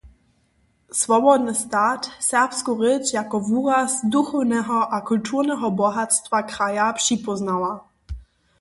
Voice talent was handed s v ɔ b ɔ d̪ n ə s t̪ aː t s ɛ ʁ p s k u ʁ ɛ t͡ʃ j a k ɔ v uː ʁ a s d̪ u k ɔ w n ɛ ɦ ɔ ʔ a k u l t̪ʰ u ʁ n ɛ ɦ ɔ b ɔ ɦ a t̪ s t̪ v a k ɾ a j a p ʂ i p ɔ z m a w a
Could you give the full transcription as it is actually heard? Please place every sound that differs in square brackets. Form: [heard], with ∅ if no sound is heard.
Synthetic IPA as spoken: s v ɔ b ɔ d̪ n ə s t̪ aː t s ɛ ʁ p s k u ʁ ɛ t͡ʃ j a k ɔ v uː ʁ a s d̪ u [x] ɔ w n ɛ ɦ ɔ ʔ a k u l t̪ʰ u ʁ n ɛ ɦ ɔ b ɔ ɦ a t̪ s t̪ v a k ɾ a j a p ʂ i p ɔ z [n] a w a